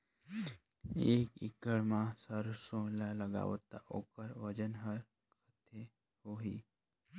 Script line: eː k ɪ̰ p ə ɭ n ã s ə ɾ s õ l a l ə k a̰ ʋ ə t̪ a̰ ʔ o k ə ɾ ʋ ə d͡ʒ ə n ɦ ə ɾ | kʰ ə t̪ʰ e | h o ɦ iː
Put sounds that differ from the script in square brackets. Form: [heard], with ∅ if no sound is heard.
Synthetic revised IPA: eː k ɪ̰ [k] ə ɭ [m] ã s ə ɾ s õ l a l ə [ɡ] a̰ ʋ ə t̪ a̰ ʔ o k ə ɾ ʋ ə d͡ʒ ə n ɦ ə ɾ | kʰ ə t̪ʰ e | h o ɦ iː